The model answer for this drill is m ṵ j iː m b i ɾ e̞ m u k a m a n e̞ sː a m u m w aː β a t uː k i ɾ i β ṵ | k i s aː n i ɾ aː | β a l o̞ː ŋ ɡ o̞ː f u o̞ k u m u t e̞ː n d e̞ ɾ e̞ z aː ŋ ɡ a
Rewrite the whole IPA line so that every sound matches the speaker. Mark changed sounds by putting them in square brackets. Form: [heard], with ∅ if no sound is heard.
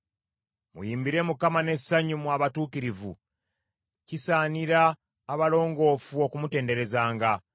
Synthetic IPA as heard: m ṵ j iː m b i ɾ e̞ m u k a m a n e̞ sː a [ɲ] u m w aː β a t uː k i ɾ i [v] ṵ | [c] i s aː n i ɾ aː | β a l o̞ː ŋ ɡ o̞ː f u o̞ k u m u t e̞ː n d e̞ ɾ e̞ z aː ŋ ɡ a